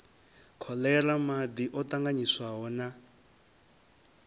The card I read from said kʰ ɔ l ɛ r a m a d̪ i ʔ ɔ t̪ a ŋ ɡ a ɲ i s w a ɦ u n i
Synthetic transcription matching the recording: kʰ ɔ l ɛ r a m a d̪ i ʔ ɔ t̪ a ŋ ɡ a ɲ i s w a ɦ ɔ n a